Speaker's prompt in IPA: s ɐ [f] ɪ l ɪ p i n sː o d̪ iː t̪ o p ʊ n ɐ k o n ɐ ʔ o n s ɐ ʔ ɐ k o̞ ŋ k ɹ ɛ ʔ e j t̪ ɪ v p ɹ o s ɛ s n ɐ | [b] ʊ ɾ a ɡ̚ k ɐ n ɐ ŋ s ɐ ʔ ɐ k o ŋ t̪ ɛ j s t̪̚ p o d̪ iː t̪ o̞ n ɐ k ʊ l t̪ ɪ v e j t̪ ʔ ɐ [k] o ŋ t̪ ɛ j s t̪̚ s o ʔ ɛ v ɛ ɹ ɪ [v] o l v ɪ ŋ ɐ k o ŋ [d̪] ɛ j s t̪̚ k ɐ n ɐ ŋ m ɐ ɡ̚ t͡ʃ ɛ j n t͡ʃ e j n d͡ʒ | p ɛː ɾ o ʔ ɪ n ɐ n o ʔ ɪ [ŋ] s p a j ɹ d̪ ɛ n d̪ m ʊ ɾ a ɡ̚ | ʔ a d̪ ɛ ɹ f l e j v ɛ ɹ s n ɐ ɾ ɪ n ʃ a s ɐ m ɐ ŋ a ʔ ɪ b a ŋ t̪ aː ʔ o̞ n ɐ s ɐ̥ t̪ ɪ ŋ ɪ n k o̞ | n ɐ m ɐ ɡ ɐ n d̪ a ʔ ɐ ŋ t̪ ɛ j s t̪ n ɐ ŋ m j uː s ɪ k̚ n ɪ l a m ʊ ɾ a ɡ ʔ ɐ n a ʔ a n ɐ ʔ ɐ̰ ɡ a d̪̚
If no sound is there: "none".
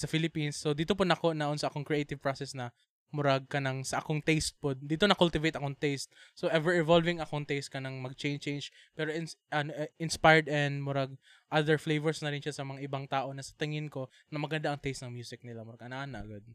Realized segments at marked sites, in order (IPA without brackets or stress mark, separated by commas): f, m, k, v, t̪, n